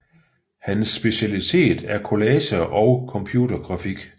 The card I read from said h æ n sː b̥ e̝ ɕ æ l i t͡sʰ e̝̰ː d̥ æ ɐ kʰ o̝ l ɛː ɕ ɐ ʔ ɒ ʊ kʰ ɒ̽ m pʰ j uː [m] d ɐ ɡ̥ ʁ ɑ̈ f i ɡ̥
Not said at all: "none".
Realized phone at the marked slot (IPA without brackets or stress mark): none